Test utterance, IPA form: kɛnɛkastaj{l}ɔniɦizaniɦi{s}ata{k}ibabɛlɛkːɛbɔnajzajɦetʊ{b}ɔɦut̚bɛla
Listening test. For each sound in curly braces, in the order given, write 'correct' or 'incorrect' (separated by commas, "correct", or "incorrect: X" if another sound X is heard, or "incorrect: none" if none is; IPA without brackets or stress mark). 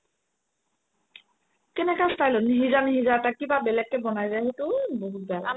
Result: correct, incorrect: z, correct, correct